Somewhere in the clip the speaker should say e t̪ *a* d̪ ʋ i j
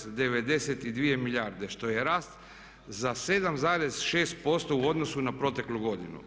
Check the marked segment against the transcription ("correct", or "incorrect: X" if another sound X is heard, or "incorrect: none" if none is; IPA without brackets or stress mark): incorrect: i